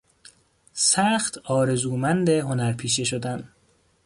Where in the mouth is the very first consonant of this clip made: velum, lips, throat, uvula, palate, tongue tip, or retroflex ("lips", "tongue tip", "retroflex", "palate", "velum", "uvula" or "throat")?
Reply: tongue tip